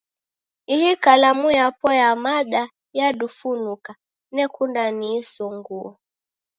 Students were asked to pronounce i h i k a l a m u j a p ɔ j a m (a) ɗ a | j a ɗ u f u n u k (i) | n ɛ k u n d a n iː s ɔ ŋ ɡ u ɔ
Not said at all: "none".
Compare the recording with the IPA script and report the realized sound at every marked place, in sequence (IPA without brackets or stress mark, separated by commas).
a, a